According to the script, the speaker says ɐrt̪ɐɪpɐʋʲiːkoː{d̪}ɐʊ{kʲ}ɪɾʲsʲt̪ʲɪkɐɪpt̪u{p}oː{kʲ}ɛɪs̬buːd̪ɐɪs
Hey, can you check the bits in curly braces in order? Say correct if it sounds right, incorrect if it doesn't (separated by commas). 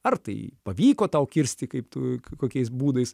incorrect, correct, incorrect, correct